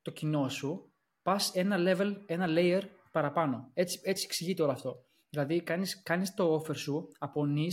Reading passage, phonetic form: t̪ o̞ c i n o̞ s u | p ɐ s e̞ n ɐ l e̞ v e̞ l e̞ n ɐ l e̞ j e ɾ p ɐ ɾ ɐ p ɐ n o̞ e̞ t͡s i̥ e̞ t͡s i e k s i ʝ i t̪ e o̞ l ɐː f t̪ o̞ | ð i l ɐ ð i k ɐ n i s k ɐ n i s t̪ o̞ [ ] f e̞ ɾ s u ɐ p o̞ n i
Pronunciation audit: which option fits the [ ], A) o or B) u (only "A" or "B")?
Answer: A